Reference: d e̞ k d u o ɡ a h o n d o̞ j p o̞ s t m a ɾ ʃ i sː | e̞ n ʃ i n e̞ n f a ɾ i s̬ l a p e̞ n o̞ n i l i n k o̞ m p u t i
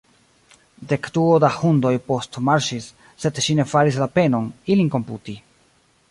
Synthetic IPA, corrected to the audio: d e̞ k d u o d a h u n d o̞ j p o̞ s t m a ɾ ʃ i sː | e̞ d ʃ i n e̞ f a ɾ i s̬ l a p e̞ n o̞ n i l i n k o̞ m p u t i